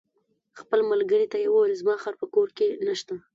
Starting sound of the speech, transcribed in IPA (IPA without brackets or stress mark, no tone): x